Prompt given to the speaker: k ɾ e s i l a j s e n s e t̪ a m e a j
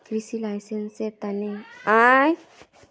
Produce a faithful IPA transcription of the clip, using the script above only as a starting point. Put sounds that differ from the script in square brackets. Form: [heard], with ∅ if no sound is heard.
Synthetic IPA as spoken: k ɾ [i] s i l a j s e n s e t̪ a [n] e a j